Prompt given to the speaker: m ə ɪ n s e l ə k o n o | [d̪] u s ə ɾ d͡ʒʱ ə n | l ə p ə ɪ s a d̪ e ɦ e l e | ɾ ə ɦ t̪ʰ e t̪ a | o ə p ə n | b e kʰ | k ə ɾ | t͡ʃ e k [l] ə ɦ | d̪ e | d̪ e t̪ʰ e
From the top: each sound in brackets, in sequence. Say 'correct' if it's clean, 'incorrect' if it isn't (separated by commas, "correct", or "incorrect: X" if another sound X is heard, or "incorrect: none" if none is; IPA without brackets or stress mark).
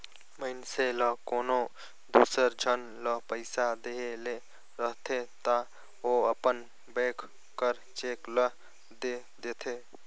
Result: correct, correct